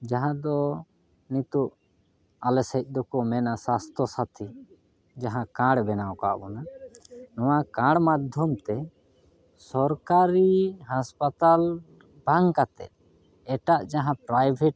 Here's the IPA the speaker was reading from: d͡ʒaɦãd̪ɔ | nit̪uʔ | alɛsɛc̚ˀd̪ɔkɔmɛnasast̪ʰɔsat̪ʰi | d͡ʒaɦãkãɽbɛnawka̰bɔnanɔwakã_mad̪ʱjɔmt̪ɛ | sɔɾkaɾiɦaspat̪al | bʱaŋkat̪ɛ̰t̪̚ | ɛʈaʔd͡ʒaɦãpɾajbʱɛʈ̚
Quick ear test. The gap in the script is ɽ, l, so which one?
ɽ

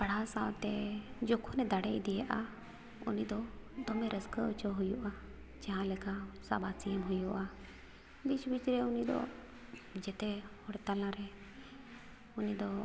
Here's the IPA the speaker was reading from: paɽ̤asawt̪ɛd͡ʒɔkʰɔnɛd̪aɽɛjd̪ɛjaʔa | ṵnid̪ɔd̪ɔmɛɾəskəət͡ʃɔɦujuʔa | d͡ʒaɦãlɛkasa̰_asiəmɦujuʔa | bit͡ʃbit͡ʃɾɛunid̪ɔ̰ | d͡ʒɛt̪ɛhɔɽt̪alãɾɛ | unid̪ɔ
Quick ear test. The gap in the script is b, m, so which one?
b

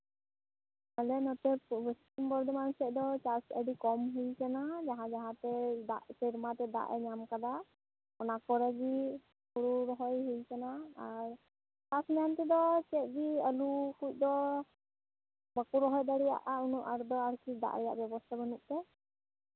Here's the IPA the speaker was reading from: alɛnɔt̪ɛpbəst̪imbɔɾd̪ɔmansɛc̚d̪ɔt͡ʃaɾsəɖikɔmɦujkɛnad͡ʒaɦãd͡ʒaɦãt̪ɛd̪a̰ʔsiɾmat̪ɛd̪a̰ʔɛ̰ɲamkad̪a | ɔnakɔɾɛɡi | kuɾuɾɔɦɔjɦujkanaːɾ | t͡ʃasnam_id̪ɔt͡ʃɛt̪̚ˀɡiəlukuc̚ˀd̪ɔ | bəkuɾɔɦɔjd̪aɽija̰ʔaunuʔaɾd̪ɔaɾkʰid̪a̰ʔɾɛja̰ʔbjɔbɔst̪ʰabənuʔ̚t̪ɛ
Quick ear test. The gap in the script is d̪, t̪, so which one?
t̪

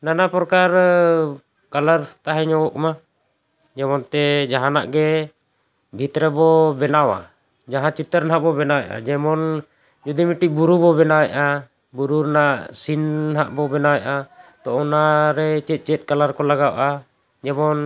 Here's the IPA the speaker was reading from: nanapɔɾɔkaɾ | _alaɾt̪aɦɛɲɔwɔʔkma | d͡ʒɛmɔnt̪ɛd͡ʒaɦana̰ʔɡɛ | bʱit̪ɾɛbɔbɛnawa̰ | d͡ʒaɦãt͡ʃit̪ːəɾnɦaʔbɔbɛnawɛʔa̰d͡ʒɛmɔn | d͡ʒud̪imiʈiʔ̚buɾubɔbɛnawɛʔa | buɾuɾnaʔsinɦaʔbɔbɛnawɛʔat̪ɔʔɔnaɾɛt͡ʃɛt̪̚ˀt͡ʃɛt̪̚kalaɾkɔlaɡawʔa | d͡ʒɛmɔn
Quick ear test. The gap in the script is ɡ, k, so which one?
k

